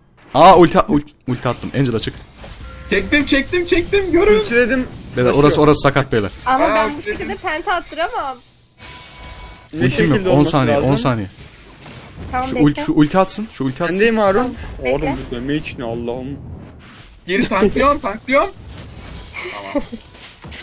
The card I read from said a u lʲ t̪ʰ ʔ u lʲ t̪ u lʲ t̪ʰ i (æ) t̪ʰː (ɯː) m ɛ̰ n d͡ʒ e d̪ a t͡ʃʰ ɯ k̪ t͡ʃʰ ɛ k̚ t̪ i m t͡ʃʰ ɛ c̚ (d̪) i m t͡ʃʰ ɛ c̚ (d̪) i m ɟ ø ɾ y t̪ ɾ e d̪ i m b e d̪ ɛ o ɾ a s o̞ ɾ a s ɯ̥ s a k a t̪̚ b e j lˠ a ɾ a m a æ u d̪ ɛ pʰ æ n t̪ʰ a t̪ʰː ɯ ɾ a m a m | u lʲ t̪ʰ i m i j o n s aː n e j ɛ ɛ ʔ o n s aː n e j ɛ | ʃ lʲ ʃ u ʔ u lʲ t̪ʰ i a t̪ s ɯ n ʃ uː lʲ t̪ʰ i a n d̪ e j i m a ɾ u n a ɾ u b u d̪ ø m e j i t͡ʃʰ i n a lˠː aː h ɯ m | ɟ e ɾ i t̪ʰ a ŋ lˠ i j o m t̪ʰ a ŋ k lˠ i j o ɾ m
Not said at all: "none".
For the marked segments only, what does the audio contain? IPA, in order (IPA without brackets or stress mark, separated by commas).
a, ɯ, t̪, t̪